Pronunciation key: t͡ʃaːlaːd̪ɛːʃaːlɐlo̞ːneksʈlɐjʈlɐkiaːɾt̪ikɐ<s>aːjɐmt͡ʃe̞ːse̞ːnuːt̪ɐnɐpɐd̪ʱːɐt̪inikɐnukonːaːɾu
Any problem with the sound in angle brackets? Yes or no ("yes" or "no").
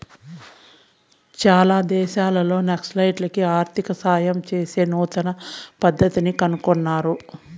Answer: no